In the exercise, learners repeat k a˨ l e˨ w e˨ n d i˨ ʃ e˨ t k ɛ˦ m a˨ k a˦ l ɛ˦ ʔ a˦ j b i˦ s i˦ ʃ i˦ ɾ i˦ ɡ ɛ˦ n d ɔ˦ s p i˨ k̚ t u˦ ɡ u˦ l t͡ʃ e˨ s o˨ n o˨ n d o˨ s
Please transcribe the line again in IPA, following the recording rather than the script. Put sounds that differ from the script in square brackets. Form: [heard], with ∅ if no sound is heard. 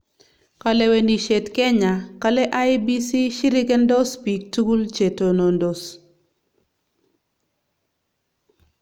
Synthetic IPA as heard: k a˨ l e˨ w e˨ n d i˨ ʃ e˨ t k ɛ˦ [ɲ] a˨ k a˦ l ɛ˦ ʔ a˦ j b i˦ s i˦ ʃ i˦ ɾ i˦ ɡ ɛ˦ n d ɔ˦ s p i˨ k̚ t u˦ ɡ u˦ l t͡ʃ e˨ [t] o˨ n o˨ n d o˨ s